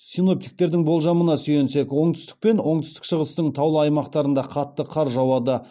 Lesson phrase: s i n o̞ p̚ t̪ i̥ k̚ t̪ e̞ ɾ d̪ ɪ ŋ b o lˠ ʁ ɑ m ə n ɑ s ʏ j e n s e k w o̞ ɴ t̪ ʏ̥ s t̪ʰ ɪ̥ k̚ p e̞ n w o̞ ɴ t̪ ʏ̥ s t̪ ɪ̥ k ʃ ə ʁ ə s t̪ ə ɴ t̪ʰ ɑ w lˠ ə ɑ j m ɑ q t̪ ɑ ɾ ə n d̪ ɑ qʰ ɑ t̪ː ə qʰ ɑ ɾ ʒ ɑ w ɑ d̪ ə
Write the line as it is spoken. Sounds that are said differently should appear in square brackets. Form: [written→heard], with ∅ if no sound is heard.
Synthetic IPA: s i n o̞ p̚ t̪ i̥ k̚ t̪ e̞ ɾ d̪ ɪ ŋ b o lˠ [ʁ→ʒ] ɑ m ə n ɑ s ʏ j e n s e k w o̞ ɴ t̪ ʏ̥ s [t̪ʰ→t̪] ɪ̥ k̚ p e̞ n w o̞ ɴ t̪ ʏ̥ s t̪ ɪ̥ k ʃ ə ʁ ə s t̪ ə ɴ t̪ʰ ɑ w lˠ ə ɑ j m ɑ q t̪ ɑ ɾ ə n d̪ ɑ qʰ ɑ t̪ː ə qʰ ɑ ɾ ʒ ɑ w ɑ d̪ ə